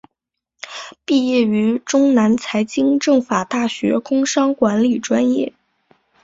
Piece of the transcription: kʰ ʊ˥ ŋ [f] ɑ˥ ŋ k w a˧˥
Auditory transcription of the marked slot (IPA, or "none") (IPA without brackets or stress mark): ʂ